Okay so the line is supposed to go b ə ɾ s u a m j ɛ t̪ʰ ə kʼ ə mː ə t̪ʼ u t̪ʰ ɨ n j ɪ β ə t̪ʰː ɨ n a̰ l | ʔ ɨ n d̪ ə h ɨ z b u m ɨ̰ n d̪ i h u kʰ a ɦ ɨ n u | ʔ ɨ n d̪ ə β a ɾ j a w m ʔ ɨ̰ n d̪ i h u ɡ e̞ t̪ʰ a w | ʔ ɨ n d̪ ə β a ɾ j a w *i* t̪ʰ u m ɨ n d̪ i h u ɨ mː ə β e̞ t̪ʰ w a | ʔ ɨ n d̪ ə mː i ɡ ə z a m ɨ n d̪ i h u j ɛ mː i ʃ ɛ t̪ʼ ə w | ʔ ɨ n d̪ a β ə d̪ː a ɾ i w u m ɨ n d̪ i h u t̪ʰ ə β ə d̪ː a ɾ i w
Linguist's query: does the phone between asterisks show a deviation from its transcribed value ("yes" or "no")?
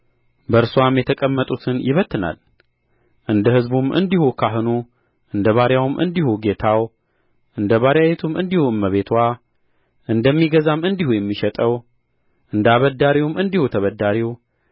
yes